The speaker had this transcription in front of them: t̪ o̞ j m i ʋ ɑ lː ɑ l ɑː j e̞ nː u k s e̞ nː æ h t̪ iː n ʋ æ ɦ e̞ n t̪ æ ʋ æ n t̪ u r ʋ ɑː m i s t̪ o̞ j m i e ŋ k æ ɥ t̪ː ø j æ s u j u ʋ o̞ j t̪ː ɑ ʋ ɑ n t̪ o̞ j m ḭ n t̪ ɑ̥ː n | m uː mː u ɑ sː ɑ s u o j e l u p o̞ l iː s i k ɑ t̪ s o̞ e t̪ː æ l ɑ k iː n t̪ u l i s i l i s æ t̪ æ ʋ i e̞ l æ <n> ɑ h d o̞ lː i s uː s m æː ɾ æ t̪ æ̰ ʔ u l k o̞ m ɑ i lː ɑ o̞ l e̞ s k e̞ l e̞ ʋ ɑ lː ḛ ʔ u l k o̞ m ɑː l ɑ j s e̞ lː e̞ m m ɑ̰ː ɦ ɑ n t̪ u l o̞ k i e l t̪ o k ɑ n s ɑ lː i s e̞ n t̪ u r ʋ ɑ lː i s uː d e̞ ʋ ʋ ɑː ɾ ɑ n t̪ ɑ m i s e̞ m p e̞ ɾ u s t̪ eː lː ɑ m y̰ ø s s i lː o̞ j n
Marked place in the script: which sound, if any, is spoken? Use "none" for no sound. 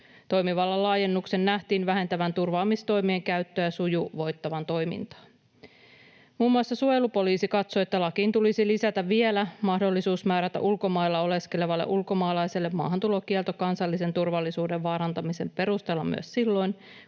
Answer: m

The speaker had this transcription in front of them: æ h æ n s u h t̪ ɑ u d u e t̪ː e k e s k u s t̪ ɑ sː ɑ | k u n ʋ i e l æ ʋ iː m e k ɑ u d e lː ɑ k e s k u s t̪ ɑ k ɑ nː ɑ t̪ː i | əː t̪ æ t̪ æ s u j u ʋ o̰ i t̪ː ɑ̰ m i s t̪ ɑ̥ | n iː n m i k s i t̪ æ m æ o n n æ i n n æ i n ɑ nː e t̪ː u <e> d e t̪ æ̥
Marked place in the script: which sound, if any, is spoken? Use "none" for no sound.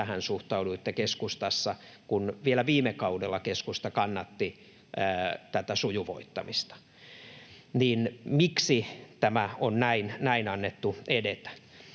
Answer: e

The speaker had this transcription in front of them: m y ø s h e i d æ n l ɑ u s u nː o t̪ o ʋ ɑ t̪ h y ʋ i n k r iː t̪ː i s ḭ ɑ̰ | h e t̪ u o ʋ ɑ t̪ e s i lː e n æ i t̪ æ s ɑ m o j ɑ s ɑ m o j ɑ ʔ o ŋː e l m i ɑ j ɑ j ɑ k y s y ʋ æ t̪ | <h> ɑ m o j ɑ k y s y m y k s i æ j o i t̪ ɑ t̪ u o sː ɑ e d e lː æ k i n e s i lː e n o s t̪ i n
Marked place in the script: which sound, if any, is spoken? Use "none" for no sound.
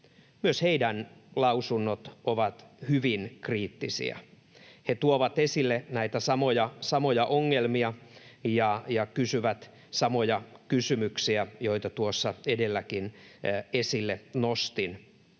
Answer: s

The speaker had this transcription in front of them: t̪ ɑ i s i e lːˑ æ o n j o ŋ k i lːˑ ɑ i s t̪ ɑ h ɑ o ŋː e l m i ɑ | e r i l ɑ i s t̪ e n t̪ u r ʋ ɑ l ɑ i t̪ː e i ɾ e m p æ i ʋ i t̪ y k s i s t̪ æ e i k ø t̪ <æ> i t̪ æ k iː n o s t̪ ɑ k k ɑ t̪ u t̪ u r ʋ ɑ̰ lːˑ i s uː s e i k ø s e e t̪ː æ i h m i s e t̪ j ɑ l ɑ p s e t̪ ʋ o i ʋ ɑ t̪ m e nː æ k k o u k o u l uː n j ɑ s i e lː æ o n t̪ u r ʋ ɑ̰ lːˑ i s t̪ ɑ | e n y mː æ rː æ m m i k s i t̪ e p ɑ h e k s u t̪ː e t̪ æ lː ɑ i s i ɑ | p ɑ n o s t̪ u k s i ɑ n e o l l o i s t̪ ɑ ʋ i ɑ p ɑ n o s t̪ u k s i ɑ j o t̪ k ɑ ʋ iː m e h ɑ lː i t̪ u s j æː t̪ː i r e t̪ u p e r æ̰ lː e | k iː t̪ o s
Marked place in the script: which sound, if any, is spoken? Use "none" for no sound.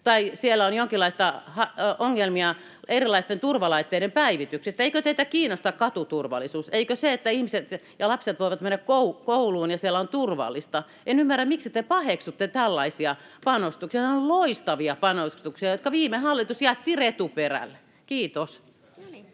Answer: e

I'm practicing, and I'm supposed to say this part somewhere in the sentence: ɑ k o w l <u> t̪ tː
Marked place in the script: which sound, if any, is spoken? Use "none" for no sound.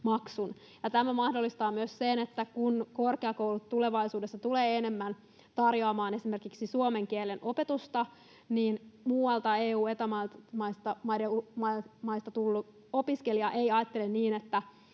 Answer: u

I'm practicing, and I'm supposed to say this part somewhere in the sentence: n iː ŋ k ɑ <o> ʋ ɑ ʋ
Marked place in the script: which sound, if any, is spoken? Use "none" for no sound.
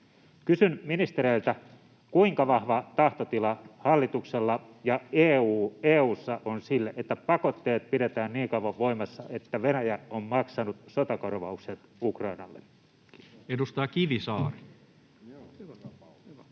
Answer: u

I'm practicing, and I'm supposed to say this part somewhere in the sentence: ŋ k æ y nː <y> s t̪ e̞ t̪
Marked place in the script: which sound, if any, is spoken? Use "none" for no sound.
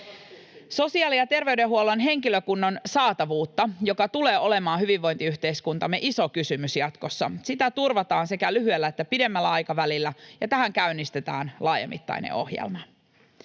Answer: i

